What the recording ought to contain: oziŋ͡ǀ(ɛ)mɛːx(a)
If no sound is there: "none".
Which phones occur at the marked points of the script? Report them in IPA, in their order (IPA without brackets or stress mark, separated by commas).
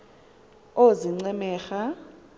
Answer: ɛ, a